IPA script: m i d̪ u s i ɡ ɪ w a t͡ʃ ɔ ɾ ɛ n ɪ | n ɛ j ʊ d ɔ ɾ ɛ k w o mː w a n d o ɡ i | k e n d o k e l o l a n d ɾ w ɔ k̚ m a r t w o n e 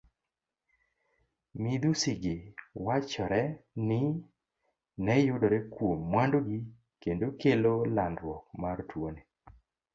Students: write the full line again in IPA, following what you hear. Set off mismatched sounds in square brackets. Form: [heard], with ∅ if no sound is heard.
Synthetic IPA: m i d̪ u s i ɡ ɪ w a t͡ʃ ɔ ɾ ɛ n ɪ | n ɛ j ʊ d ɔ ɾ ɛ k w o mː w a n d o ɡ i | k e n d o k e l o l a n d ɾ w ɔ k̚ m a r t w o n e